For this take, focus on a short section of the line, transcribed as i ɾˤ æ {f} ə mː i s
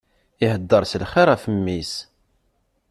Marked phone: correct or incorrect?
correct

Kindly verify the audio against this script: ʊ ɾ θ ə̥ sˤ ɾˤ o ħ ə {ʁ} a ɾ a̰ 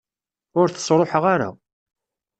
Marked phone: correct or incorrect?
correct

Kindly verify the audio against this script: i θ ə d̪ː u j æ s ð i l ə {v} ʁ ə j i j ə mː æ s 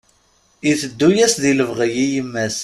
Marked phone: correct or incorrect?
correct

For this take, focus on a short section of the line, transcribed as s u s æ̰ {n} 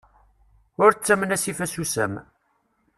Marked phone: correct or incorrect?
incorrect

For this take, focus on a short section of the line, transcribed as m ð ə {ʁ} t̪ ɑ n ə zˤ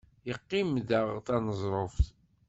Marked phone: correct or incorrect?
correct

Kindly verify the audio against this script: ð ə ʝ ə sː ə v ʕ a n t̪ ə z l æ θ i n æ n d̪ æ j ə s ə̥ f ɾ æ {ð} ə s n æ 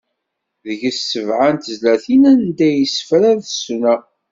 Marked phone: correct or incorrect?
correct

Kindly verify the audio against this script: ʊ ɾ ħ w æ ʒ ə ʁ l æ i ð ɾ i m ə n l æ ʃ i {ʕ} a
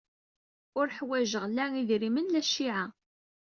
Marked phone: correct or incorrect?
correct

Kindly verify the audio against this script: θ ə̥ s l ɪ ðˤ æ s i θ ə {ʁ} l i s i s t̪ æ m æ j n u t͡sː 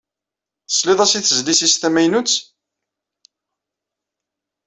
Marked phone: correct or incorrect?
incorrect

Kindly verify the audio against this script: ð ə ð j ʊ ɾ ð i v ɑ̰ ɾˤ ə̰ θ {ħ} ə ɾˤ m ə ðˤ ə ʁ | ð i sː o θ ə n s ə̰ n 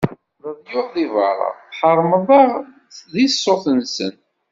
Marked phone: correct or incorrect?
correct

